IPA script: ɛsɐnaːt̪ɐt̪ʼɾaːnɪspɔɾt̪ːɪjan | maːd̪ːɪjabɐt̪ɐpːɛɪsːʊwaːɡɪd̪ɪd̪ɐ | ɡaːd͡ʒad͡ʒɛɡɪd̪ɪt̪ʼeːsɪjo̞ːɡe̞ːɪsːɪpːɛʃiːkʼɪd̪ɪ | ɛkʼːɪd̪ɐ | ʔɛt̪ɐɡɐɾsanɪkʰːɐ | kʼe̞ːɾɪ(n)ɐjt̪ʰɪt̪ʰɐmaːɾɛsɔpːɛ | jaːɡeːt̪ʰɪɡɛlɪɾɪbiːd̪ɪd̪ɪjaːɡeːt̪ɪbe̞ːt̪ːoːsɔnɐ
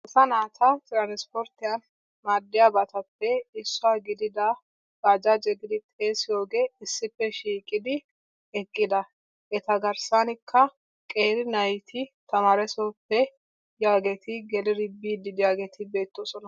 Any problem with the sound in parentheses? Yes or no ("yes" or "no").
no